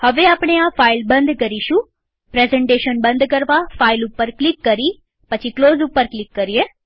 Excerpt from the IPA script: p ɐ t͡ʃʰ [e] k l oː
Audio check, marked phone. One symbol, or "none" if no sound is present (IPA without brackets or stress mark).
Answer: i